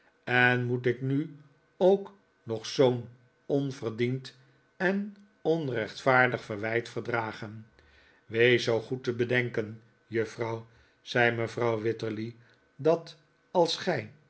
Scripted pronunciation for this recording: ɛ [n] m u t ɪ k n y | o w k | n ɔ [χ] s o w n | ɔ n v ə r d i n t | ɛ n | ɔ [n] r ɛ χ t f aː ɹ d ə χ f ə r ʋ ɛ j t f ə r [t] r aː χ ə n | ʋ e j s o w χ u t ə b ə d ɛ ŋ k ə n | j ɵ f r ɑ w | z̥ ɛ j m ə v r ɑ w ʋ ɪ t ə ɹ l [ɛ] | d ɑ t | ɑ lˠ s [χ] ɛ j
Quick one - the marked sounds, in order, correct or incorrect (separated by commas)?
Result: correct, correct, correct, incorrect, incorrect, correct